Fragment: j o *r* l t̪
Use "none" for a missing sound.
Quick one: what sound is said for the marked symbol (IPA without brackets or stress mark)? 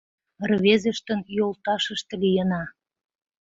none